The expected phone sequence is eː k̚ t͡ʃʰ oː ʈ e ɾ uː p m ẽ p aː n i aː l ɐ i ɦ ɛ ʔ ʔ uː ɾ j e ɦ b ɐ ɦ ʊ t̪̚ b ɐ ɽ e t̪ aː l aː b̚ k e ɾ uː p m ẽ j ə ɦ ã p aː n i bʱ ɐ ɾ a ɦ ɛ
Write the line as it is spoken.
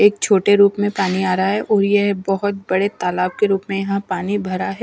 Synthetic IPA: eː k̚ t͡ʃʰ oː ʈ e ɾ uː p m ẽ p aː n i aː ɾ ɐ a ɦ ɛ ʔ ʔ ɔː ɾ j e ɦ b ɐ ɦ ʊ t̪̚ b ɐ ɽ e t̪ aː l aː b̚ k e ɾ uː p m ẽ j ɐ ɦ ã p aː n i bʱ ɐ ɾ a ɦ ɛ